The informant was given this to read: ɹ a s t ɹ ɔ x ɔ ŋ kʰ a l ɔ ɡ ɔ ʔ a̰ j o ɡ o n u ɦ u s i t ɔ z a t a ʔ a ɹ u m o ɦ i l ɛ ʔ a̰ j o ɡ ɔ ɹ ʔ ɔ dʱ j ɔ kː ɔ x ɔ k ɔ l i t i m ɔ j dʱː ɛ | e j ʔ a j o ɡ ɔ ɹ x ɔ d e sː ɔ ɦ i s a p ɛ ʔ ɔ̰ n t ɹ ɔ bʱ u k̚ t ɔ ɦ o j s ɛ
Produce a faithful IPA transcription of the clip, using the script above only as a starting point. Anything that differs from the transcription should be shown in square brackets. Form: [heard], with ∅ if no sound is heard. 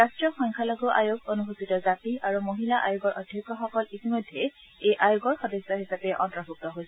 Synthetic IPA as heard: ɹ a s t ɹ ɔ x ɔ ŋ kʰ a l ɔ ɡ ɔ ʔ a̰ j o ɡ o n u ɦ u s i t ɔ z a t [i] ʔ a ɹ u m o ɦ i l [a] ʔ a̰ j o ɡ ɔ ɹ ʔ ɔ dʱ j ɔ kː ɔ x ɔ k ɔ l i t i m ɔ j dʱː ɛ | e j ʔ a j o ɡ ɔ ɹ x ɔ d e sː ɔ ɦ i s a p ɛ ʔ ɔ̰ n t ɹ ɔ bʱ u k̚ t ɔ ɦ o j s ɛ